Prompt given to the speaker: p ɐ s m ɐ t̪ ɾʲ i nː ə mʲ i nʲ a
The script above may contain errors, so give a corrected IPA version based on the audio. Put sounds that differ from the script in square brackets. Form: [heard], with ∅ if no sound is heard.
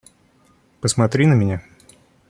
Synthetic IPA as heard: p [ə] s m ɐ t̪ ɾʲ i [n] ə mʲ [ɪ] nʲ a

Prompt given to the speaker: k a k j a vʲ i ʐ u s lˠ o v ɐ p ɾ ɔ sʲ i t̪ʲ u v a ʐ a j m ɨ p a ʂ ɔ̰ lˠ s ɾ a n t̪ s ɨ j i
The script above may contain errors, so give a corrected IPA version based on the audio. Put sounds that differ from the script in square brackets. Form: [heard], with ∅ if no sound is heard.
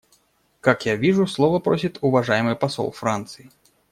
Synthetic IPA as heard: k a k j a vʲ i ʐ u s lˠ [ɔ] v ɐ p ɾ ɔ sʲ i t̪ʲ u v a ʐ a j m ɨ p a [s] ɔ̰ lˠ [f] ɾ a n t̪ s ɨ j i

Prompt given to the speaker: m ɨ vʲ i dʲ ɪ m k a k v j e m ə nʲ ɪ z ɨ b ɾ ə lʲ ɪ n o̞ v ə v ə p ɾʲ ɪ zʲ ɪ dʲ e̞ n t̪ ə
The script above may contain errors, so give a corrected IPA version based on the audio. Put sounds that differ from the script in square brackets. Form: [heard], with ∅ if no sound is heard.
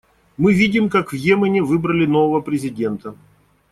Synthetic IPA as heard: m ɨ vʲ i dʲ ɪ m k a k v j e m ə nʲ ɪ [v] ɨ b ɾ ə lʲ ɪ n o̞ v ə v ə p ɾʲ ɪ zʲ ɪ dʲ e̞ n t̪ ə

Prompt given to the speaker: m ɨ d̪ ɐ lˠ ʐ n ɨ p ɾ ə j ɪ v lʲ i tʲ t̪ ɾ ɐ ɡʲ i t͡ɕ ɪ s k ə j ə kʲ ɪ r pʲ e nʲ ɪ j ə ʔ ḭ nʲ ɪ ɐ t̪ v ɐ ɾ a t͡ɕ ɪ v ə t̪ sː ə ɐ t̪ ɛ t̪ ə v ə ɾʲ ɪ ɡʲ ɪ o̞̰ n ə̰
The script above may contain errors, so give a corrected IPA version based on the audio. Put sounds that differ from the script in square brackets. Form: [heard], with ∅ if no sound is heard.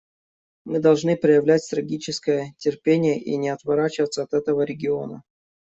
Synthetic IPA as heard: m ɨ d̪ ɐ lˠ ʐ n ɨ p ɾ ə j ɪ v lʲ [æ] tʲ t̪ ɾ ɐ ɡʲ i t͡ɕ ɪ s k ə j ə [tʲ] ɪ r pʲ e nʲ ɪ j ə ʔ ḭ nʲ ɪ ɐ t̪ v ɐ ɾ a t͡ɕ ɪ v ə t̪ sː ə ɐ t̪ ɛ t̪ ə v ə ɾʲ ɪ ɡʲ ɪ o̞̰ n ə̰

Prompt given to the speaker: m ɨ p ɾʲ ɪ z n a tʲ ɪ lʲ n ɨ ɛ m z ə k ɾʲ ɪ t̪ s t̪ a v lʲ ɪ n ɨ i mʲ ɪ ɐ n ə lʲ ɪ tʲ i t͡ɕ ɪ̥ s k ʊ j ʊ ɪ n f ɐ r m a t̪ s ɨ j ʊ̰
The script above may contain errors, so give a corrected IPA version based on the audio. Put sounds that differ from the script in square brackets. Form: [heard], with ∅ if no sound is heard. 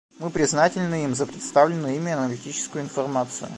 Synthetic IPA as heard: m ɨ p ɾʲ ɪ z n a tʲ ɪ lʲ n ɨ [i] m z ə [p] ɾʲ ɪ t̪ s t̪ a v lʲ ɪ n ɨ i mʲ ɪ ɐ n ə lʲ ɪ tʲ i t͡ɕ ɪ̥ s k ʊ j ʊ ɪ n f ɐ r m a t̪ s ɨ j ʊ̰

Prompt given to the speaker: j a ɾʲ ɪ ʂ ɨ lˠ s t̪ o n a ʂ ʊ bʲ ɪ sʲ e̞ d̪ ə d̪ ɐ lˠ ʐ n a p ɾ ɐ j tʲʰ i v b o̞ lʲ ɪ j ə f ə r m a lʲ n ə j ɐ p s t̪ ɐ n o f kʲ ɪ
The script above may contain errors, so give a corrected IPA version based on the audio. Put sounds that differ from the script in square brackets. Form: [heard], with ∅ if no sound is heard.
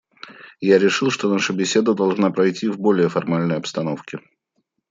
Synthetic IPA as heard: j a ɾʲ ɪ ʂ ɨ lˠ [ʂ] t̪ o n a ʂ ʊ bʲ ɪ sʲ e̞ d̪ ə d̪ ɐ lˠ ʐ n a p ɾ ɐ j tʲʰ i v b o̞ lʲ ɪ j ə f [ɐ] r m a lʲ n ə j ɐ p s t̪ ɐ n o f kʲ ɪ

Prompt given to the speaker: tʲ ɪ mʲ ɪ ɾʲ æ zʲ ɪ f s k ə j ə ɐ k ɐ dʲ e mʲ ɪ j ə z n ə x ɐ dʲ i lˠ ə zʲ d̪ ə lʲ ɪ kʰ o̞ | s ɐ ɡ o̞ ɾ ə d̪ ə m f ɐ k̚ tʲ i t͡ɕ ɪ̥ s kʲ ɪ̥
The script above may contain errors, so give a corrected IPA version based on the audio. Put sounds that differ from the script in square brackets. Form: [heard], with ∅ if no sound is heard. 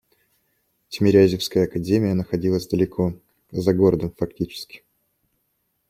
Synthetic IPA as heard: tʲ ɪ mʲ ɪ ɾʲ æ zʲ ɪ f s k ə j ə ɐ k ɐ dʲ e mʲ ɪ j ə [∅] n ə x ɐ dʲ i lˠ ə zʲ d̪ ə lʲ ɪ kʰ o̞ | [z] ɐ ɡ o̞ ɾ ə d̪ ə m f ɐ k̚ tʲ i t͡ɕ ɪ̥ s kʲ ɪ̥

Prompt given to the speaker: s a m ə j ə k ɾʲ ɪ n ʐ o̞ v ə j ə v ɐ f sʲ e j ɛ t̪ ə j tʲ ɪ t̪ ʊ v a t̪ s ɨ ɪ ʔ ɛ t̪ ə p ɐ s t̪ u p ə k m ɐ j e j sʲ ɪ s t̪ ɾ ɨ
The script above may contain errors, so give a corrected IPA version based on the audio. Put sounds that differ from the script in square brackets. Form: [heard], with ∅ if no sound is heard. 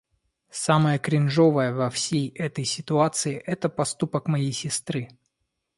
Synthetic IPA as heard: s a m ə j ə k ɾʲ ɪ n ʐ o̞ v ə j ə v ɐ f sʲ e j ɛ t̪ ə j [sʲ] ɪ t̪ ʊ [∅] a t̪ s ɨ ɪ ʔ ɛ t̪ ə p ɐ s t̪ u p ə k m ɐ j e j sʲ ɪ s t̪ ɾ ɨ

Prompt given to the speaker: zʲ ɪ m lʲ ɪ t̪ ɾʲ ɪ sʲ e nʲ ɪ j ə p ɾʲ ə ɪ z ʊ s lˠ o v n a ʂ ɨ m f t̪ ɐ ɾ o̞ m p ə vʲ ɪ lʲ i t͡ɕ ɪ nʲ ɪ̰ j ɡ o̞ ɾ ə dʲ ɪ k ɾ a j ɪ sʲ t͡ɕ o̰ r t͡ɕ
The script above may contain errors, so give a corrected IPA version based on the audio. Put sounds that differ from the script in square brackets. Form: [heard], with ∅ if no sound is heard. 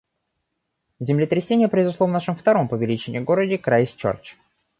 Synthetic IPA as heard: zʲ ɪ m lʲ ɪ t̪ ɾʲ ɪ sʲ e nʲ ɪ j ə p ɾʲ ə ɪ z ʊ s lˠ o v n a ʂ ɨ m f t̪ ɐ ɾ o̞ m p ə vʲ ɪ lʲ i t͡ɕ ɪ nʲ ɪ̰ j ɡ o̞ ɾ ə dʲ ɪ k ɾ a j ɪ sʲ t͡ɕ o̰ r t͡ɕ

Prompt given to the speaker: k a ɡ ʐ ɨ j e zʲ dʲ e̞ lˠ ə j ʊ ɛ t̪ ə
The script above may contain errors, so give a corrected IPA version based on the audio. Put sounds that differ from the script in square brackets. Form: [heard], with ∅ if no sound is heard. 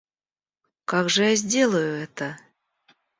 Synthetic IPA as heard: k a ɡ ʐ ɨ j [a] zʲ dʲ e̞ lˠ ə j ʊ ɛ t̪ ə

